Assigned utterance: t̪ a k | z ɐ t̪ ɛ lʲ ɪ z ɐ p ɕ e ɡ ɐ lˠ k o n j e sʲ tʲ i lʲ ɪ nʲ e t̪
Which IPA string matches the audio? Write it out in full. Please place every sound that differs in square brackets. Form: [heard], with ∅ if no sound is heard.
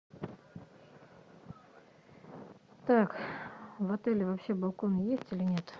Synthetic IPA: t̪ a k | [v] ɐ t̪ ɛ lʲ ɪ [v] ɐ p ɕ e [b] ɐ lˠ k o n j e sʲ tʲ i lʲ ɪ nʲ e t̪